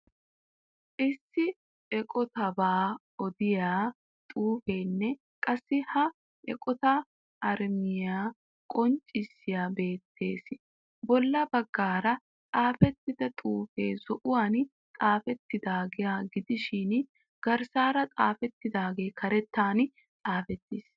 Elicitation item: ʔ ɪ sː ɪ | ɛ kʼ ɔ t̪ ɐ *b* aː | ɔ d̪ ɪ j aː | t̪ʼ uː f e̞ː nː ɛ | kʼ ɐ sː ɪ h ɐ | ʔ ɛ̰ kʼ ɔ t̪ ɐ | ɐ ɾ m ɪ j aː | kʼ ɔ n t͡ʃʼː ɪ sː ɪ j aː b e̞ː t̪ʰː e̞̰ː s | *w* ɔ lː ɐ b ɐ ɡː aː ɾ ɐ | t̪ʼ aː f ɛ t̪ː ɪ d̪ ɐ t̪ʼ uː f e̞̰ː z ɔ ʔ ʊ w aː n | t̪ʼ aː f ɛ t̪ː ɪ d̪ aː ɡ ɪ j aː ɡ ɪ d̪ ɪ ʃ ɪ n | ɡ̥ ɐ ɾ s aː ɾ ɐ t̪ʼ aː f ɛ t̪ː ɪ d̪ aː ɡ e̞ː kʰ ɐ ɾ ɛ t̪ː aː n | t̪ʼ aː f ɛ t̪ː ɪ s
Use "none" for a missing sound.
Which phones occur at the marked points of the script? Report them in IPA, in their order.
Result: b, b

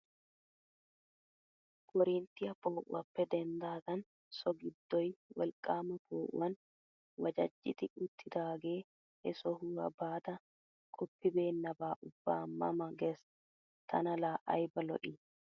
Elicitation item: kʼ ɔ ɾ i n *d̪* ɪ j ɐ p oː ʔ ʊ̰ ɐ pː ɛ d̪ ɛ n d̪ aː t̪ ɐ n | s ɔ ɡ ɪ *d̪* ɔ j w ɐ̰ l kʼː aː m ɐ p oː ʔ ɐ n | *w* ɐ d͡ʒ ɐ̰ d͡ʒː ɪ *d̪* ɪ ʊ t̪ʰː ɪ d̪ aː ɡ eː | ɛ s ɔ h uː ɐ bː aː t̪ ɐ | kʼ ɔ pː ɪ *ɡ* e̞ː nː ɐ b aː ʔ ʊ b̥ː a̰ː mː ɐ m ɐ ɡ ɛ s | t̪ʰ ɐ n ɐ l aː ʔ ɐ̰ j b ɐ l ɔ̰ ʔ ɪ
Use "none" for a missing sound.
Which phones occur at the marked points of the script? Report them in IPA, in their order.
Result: t̪, d̪ː, w, t̪, b

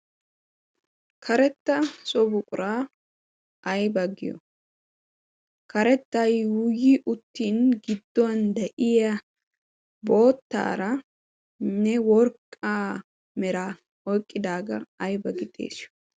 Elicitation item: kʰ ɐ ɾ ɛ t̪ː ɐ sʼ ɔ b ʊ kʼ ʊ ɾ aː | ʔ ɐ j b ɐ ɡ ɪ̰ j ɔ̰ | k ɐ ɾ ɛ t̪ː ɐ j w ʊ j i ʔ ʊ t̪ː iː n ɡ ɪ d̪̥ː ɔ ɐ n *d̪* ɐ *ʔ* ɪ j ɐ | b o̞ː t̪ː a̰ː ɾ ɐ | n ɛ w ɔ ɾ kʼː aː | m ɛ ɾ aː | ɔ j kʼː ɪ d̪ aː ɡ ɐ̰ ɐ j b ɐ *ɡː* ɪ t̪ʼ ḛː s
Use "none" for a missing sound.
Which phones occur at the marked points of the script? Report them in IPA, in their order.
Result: d̪, ʔ, ɡ

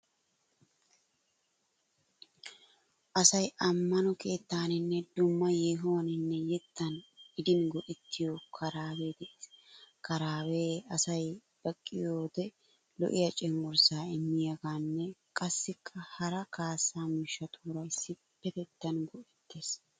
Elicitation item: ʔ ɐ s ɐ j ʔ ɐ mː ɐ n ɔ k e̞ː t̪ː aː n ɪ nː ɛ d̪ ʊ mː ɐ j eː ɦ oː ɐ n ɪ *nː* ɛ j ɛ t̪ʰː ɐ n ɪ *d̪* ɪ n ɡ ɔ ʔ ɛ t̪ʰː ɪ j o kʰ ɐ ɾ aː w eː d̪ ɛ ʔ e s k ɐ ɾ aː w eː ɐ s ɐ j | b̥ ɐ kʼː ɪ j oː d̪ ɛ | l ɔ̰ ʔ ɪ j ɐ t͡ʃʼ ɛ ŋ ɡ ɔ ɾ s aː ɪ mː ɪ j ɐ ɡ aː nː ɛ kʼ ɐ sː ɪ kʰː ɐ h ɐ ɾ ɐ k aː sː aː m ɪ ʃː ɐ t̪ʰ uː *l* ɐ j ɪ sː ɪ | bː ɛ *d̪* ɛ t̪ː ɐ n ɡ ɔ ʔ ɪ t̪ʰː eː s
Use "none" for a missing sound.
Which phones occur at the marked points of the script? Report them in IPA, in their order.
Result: nː, d̪, ɾ, t̪

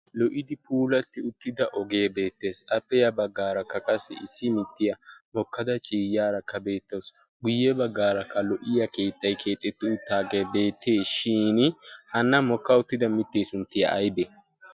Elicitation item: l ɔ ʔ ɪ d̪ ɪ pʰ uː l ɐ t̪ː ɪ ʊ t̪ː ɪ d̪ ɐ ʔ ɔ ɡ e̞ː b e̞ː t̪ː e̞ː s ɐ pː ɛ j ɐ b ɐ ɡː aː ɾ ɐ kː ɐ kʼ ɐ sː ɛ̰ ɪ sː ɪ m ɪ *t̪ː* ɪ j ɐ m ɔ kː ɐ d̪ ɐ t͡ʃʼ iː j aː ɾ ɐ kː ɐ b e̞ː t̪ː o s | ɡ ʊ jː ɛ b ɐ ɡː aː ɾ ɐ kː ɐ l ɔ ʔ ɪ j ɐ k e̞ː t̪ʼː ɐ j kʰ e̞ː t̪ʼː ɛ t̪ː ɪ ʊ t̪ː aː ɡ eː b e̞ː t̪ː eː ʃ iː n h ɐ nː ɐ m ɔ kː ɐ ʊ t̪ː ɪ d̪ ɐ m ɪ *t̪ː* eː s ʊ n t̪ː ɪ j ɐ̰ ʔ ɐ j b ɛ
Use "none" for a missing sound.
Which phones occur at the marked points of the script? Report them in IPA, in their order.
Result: t̪ː, t̪ː

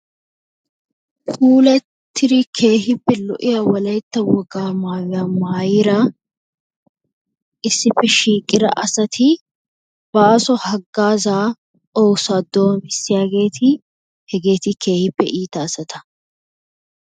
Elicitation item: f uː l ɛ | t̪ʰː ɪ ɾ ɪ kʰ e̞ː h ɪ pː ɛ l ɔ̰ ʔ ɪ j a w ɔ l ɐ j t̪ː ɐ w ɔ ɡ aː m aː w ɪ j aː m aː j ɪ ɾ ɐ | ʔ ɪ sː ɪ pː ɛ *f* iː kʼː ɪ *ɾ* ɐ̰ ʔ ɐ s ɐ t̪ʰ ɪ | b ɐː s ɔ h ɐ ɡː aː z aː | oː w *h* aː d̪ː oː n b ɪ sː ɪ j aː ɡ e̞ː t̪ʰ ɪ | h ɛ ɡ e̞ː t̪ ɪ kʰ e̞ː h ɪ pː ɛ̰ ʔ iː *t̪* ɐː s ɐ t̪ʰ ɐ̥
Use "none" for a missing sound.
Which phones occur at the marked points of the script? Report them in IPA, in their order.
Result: ʃ, ɾ, s, t̪

